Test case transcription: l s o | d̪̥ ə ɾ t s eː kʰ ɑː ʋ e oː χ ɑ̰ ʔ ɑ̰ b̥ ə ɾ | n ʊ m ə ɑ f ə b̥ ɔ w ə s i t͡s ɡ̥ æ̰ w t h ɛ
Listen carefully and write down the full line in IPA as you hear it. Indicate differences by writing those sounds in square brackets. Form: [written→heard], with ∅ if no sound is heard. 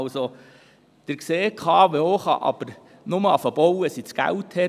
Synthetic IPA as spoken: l s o | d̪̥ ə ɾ [t→k] s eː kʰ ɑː ʋ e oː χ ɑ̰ ʔ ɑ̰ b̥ ə ɾ | n ʊ m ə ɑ f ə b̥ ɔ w ə s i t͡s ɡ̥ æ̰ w t h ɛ